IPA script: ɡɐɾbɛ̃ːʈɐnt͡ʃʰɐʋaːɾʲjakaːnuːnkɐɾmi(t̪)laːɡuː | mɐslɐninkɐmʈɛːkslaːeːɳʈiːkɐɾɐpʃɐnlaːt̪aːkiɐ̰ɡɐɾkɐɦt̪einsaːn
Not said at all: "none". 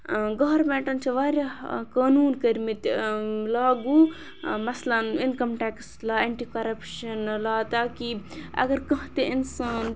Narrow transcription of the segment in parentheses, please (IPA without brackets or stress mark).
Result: t̪